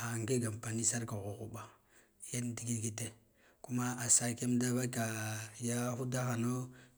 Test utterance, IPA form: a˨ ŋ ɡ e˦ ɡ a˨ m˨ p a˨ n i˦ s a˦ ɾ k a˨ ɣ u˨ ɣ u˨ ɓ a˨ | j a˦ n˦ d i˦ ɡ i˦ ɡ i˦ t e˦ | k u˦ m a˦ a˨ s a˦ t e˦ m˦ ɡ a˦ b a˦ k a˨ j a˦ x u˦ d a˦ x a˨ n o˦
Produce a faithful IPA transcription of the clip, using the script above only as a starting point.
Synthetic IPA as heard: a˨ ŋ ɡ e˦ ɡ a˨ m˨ p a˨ n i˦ s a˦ ɾ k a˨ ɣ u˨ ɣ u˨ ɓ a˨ | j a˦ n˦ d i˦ ɡ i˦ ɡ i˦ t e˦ | k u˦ m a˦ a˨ s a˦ k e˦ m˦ d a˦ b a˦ k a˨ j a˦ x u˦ d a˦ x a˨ n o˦